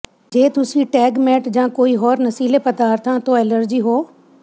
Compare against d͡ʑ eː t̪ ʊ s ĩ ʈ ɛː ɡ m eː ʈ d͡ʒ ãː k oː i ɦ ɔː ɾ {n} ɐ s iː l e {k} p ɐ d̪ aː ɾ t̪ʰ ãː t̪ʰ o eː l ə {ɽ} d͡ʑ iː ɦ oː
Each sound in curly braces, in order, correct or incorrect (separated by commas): correct, incorrect, incorrect